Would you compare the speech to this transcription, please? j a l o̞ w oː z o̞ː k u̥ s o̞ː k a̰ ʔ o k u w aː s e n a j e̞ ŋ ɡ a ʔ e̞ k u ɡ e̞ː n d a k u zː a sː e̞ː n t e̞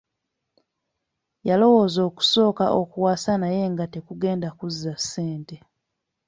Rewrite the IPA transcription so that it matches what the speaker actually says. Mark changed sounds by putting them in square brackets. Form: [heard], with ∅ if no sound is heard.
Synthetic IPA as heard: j a l o̞ w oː z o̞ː k u̥ s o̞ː k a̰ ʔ o k u w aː s [a] n a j e̞ ŋ ɡ a [t] e̞ k u ɡ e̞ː n d a k u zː a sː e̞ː n t e̞